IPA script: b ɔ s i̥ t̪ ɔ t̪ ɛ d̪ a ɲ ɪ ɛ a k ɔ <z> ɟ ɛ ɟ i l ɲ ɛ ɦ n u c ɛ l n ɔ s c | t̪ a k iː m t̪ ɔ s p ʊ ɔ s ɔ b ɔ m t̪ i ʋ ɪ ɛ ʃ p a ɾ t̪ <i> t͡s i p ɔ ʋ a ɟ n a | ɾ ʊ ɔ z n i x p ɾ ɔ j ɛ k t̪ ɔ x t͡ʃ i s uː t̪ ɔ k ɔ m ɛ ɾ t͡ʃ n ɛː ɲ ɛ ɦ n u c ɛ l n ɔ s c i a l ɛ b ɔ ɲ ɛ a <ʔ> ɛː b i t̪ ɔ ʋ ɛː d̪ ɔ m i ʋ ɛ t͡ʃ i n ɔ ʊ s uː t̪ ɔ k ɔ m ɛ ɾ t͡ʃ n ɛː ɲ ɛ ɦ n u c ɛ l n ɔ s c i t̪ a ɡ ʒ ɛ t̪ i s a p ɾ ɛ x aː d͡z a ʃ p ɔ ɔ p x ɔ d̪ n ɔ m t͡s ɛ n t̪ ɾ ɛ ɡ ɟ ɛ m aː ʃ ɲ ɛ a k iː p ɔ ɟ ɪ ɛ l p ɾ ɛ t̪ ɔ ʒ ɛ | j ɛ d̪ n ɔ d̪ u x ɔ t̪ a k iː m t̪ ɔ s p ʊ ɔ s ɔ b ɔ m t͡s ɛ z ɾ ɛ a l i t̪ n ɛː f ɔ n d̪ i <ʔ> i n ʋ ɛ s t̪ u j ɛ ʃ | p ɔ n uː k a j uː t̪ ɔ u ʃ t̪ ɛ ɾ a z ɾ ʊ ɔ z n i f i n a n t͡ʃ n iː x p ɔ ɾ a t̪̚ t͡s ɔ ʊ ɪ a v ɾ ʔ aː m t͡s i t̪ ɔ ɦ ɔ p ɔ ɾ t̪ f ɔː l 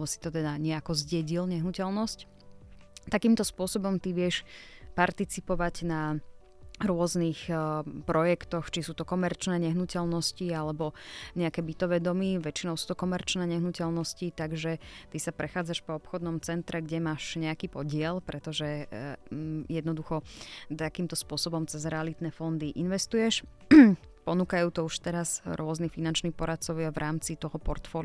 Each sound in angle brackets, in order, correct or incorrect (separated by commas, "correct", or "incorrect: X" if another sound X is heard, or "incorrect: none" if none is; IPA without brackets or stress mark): correct, correct, incorrect: k, correct